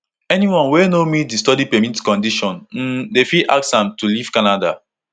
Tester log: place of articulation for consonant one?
alveolar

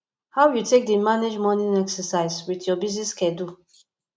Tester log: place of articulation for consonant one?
glottal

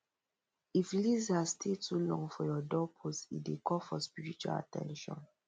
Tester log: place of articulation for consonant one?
labial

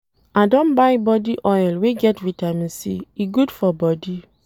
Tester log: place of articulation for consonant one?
alveolar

